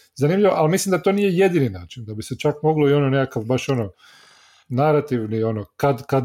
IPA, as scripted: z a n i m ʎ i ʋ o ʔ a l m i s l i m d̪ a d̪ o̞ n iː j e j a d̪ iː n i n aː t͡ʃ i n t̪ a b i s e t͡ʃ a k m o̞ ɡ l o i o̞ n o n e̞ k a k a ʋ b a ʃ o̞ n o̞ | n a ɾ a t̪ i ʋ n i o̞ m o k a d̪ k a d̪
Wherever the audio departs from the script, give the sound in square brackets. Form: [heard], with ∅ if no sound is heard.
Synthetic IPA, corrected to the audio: z a n i m ʎ i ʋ o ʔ a l m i s l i m d̪ a [t̪] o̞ n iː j e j [e] d̪ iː n i n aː t͡ʃ i n [d̪] a b i s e t͡ʃ a k m o̞ ɡ l o i o̞ n o n e̞ k a k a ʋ b a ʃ o̞ n o̞ | n a ɾ a t̪ i ʋ n i o̞ [n] o k a d̪ k a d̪